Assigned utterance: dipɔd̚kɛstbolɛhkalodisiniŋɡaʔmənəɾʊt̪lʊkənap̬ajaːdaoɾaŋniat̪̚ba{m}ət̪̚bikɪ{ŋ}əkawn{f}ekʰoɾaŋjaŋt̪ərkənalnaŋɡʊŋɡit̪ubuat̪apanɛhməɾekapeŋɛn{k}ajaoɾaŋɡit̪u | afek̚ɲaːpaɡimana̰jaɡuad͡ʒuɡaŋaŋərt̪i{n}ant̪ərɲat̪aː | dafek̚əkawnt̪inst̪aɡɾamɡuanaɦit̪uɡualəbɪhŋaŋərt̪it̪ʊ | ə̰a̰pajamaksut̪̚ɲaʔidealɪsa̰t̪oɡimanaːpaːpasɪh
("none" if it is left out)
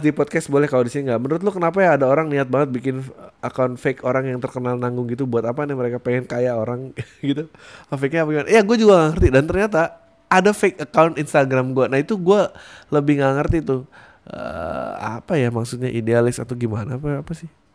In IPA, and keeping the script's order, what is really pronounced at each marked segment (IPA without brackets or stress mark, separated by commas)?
ŋ, n, f, k, d